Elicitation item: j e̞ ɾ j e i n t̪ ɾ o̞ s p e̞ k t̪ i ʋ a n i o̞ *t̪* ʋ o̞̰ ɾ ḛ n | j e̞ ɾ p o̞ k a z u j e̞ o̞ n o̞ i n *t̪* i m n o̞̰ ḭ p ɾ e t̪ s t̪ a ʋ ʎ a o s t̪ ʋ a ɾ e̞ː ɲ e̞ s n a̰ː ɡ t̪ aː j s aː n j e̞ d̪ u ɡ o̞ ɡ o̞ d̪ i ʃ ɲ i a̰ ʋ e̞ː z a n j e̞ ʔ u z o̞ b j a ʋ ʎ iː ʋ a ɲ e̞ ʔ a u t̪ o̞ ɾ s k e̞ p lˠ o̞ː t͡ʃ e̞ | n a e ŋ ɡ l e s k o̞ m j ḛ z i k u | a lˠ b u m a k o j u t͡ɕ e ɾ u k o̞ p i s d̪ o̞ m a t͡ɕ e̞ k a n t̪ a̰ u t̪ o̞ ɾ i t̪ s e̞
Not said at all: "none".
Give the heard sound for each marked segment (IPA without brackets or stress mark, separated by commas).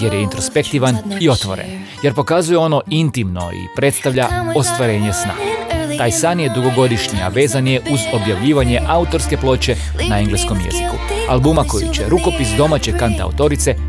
t̪, t̪